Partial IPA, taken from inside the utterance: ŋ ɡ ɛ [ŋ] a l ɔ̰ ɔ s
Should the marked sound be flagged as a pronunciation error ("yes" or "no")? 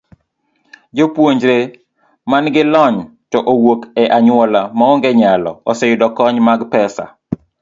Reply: yes